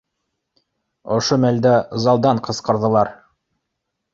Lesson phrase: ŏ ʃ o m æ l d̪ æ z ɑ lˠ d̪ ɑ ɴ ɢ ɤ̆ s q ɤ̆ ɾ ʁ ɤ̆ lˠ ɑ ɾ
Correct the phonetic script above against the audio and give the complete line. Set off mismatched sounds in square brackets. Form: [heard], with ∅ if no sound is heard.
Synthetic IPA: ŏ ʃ o m æ l d̪ æ z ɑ lˠ d̪ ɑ ɴ [q] ɤ̆ s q ɤ̆ ɾ [ð] ɤ̆ lˠ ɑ ɾ